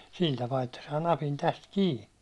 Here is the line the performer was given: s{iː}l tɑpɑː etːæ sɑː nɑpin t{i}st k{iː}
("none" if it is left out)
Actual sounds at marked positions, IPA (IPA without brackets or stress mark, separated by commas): i, æ, iː